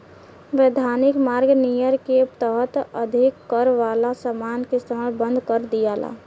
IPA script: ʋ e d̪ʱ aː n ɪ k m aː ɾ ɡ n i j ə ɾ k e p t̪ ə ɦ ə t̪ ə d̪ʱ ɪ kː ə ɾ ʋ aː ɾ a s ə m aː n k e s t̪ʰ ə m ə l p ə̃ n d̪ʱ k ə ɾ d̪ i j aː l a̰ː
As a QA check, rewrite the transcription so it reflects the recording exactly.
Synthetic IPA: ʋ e d̪ʱ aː n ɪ k m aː ɾ ɡ n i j ə ɾ k e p t̪ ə ɦ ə t̪ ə d̪ʱ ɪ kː ə ɾ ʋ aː l a s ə m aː n k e s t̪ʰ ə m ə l b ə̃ n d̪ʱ k ə ɾ d̪ i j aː l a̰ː